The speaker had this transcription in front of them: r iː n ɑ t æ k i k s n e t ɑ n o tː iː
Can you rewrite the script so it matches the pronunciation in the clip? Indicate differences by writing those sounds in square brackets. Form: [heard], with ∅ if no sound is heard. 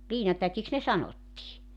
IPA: [l] iː n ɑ t æ k i k s n e [s] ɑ n o tː iː